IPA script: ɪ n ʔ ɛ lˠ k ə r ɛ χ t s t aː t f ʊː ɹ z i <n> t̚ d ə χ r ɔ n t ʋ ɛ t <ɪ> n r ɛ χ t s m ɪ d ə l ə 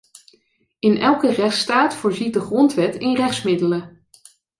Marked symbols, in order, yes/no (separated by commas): no, yes